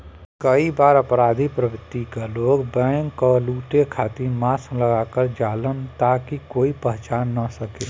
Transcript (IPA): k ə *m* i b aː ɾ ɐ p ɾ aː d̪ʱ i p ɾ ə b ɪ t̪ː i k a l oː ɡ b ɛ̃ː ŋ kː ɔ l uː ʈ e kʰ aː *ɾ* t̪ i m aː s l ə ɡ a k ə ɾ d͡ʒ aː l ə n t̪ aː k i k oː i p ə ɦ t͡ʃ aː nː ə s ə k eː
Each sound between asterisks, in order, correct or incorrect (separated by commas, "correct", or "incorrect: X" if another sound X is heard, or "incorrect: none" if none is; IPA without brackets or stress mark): incorrect: none, incorrect: none